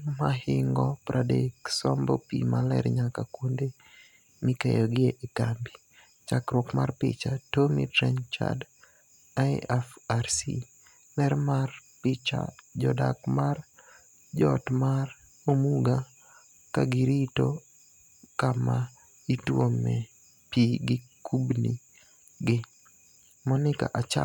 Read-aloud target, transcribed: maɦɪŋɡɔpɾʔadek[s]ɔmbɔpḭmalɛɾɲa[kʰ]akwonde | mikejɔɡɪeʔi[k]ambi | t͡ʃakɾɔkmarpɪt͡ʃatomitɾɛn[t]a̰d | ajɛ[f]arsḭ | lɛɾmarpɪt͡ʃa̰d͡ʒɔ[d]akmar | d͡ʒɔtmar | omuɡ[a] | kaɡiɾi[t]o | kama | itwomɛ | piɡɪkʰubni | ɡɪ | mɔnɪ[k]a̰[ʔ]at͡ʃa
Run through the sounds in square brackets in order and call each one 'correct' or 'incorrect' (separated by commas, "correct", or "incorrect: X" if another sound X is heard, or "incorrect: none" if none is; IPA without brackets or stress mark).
correct, incorrect: k, correct, incorrect: t͡ʃ, correct, correct, correct, correct, correct, correct